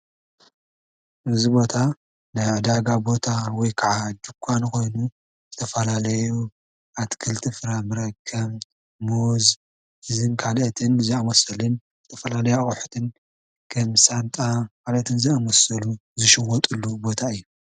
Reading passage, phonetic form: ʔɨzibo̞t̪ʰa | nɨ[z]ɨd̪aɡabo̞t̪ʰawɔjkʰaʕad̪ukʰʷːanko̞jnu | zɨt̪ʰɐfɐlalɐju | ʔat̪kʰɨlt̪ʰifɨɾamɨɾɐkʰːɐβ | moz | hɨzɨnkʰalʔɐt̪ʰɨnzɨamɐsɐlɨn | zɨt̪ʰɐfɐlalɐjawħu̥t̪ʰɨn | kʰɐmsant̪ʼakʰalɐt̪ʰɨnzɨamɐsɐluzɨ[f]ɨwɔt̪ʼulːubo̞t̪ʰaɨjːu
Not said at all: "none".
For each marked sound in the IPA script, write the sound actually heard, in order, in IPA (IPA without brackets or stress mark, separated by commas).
ʕ, ʃ